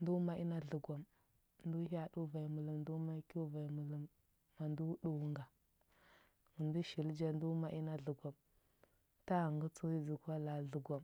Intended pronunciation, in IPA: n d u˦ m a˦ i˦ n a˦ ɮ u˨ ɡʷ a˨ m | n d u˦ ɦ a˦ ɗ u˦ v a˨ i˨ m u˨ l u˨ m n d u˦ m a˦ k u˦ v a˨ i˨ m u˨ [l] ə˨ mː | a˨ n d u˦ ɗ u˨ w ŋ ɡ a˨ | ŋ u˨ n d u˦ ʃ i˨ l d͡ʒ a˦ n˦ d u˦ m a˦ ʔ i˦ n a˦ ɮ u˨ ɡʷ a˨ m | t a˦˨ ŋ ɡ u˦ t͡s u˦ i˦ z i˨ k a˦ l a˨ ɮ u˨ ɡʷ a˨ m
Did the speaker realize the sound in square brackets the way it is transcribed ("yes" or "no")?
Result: yes